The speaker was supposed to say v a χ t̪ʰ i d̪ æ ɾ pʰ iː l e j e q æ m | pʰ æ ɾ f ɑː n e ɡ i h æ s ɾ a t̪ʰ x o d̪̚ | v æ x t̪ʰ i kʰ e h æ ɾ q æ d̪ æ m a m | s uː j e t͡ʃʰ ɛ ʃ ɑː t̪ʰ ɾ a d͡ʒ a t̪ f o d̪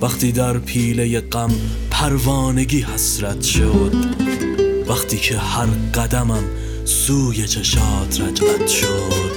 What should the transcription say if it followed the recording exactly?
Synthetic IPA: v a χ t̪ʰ i d̪ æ ɾ pʰ iː l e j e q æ m | pʰ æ ɾ v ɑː n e ɡ i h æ s ɾ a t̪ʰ ʃ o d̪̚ | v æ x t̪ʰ i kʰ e h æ ɾ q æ d̪ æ m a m | s uː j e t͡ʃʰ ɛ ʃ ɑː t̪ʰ ɾ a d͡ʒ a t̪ ʃ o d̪